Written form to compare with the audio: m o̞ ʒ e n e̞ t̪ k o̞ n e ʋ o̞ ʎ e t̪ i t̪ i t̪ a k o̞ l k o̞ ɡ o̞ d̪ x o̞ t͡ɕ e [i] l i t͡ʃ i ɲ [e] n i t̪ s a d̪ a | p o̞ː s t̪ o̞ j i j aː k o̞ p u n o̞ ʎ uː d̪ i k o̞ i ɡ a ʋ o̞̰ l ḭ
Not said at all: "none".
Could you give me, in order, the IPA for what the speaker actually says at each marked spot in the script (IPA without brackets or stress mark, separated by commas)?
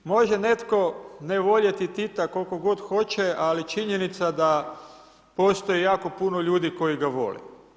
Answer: a, e